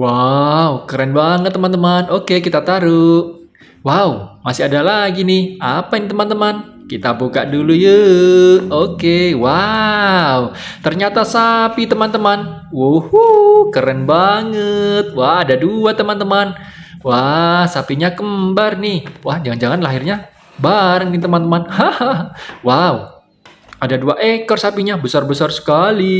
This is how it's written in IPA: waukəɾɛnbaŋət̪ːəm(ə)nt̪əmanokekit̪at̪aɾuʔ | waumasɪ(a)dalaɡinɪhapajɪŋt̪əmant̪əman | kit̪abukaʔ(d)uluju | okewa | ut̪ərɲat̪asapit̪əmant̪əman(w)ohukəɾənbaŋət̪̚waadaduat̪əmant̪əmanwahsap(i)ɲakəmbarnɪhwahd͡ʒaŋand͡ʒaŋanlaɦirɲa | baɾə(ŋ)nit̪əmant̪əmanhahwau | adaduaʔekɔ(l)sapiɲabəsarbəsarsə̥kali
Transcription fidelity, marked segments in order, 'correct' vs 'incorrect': incorrect: a, correct, correct, correct, correct, correct, incorrect: r

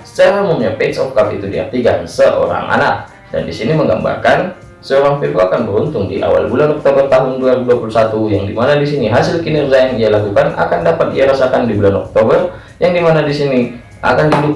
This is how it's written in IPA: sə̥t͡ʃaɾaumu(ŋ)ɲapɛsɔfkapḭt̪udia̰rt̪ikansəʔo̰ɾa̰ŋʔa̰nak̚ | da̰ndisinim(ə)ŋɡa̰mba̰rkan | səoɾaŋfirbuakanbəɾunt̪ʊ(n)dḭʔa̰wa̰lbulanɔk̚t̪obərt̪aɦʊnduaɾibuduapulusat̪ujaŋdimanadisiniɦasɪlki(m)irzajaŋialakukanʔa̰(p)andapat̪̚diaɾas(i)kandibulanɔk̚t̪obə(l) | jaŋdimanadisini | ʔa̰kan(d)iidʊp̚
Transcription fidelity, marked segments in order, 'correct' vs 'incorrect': incorrect: m, correct, incorrect: ŋ, incorrect: n, incorrect: k, incorrect: a, incorrect: r, correct

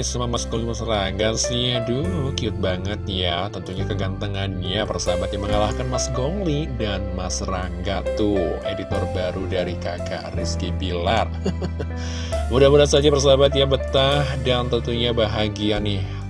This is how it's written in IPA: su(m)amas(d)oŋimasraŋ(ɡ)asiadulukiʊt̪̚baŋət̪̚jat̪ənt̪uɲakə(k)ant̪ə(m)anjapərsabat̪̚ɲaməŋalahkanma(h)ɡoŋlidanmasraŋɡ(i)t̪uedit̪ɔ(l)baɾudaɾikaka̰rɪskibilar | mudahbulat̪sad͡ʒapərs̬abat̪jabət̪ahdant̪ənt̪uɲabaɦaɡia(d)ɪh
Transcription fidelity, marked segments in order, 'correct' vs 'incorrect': correct, incorrect: ɡ, correct, incorrect: ɡ, incorrect: ŋ, incorrect: s, incorrect: a, incorrect: r, incorrect: n

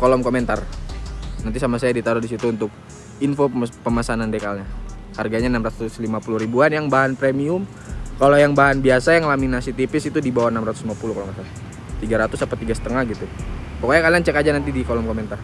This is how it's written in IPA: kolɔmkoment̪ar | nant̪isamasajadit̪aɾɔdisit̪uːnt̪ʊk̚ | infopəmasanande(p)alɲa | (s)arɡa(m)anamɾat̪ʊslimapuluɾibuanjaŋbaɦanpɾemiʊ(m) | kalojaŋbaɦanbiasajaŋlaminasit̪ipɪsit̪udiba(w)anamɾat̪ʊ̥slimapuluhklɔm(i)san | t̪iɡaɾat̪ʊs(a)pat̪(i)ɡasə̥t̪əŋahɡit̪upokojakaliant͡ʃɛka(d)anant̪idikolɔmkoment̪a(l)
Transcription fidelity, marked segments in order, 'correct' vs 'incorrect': incorrect: k, incorrect: h, incorrect: ɲ, correct, correct, incorrect: a, correct, correct, incorrect: d͡ʒ, incorrect: r

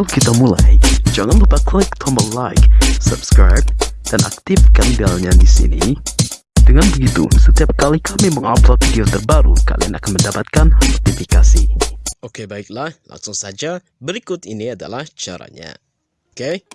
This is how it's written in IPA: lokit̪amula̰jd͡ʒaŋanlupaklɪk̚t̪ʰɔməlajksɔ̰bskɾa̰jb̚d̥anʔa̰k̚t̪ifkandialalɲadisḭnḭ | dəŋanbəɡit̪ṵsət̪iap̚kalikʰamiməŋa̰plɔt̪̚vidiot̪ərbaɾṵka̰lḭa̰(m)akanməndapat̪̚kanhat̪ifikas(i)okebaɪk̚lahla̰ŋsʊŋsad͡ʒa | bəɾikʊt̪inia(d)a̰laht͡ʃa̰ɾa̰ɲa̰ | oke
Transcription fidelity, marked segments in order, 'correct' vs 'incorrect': incorrect: n, correct, correct

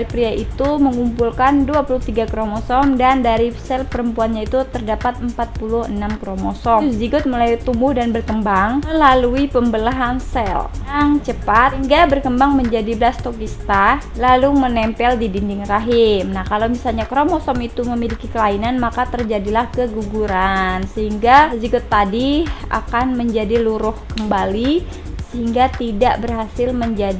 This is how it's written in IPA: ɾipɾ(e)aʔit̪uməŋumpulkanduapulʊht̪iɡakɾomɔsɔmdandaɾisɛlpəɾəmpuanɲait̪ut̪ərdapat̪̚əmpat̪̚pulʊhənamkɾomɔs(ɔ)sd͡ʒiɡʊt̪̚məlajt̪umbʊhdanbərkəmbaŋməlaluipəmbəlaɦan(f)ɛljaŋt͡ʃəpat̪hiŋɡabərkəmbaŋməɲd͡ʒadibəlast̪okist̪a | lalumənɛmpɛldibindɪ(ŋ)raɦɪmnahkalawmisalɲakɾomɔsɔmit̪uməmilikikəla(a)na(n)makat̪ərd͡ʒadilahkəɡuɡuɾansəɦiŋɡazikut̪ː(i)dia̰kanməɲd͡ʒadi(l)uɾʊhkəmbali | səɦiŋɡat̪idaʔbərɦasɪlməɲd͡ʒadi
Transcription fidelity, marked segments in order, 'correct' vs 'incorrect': incorrect: i, correct, incorrect: s, correct, incorrect: i, correct, incorrect: a, correct

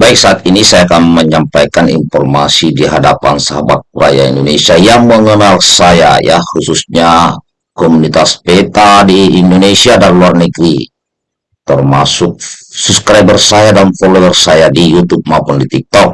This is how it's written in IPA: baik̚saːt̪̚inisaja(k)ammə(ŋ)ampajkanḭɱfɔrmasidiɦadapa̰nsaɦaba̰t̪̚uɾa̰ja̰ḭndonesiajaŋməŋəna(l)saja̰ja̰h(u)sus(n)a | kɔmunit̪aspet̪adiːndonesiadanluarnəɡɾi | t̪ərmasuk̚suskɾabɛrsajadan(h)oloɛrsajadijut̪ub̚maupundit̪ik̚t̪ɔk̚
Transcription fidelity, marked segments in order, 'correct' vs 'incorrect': correct, incorrect: ɲ, correct, correct, incorrect: ɲ, incorrect: f

